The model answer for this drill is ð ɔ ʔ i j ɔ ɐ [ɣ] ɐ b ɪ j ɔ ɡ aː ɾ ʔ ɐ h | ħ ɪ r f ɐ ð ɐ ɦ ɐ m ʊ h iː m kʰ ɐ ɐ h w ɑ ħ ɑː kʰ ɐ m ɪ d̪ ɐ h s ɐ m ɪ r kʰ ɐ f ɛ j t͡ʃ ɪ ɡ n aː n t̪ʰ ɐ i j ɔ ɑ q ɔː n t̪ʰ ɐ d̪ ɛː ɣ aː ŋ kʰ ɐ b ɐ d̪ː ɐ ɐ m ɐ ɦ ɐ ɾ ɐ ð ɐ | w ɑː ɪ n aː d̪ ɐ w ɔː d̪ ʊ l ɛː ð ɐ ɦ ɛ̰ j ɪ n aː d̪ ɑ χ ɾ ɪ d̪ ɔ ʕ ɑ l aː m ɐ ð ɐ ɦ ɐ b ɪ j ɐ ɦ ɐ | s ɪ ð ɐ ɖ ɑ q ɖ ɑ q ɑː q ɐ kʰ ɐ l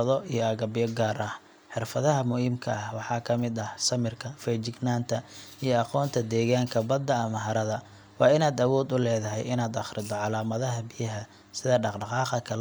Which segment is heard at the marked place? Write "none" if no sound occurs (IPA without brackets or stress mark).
ɣ